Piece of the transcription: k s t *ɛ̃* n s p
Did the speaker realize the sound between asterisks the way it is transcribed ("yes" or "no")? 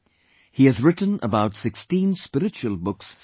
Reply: no